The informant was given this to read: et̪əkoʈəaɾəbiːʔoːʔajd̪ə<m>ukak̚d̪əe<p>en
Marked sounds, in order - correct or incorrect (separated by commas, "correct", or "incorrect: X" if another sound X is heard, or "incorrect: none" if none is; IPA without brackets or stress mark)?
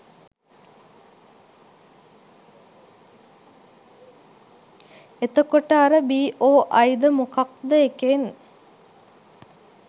correct, incorrect: k